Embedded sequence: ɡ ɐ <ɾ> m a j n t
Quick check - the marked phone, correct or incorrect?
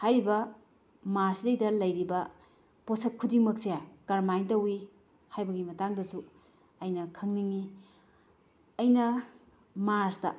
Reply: correct